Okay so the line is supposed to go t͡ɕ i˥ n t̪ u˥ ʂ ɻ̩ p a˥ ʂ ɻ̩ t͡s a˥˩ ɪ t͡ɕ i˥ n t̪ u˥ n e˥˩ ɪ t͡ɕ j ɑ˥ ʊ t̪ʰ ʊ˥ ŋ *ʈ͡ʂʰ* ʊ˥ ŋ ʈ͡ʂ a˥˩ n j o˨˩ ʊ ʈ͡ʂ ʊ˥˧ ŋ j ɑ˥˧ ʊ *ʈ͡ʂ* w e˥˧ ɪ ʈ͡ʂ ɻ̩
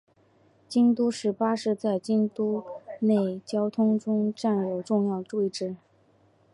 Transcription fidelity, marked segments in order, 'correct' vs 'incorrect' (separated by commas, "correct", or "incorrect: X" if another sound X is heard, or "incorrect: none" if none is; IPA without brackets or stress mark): incorrect: ʈ͡ʂ, correct